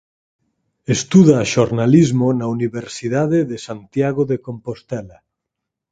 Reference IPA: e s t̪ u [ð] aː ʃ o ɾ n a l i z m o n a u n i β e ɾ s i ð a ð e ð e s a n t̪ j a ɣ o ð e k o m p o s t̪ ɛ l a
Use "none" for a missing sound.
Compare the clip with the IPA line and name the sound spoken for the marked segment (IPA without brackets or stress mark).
ð